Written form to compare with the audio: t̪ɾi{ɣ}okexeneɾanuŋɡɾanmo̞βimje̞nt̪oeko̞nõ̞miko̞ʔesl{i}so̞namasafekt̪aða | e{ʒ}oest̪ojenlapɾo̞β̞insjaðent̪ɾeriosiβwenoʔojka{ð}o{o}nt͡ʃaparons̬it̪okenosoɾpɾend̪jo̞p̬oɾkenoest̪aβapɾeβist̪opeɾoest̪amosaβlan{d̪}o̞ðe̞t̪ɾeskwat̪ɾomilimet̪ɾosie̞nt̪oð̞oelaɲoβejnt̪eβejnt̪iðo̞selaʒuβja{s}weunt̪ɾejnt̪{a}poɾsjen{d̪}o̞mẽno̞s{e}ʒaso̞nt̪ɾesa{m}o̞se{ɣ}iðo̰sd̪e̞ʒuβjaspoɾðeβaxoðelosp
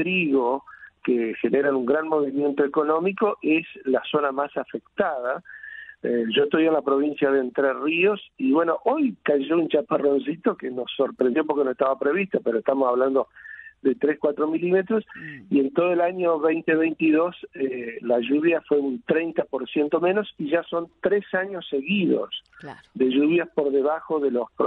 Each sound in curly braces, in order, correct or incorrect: correct, incorrect: a, correct, incorrect: ʒ, incorrect: u, correct, incorrect: f, correct, incorrect: t̪, incorrect: i, incorrect: ɲ, correct

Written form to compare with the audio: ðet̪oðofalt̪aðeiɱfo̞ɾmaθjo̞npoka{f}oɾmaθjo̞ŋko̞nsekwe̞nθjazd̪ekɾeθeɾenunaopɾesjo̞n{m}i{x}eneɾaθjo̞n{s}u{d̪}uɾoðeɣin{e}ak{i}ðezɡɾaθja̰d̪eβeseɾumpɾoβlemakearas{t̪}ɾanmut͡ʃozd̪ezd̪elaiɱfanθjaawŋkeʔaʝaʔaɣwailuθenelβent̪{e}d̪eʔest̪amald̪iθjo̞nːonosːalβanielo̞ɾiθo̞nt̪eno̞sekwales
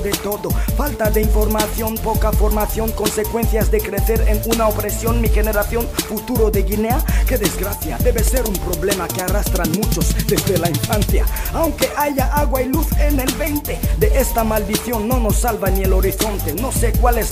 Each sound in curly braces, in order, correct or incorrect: correct, correct, correct, incorrect: f, incorrect: t̪, correct, incorrect: e, correct, correct

